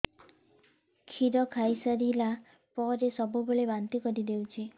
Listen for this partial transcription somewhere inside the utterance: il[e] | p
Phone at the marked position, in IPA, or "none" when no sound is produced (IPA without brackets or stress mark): a